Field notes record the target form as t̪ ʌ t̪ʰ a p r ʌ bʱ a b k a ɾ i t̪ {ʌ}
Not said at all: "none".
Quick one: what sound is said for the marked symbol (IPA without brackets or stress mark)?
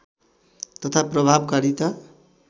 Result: a